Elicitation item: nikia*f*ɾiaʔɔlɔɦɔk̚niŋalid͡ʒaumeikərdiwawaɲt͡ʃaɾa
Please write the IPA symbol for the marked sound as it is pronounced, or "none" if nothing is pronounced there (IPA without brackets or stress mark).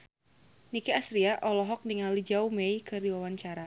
s